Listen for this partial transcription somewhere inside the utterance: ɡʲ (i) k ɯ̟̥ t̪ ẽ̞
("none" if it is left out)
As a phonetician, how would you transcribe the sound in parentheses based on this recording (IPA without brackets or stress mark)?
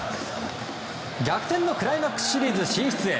a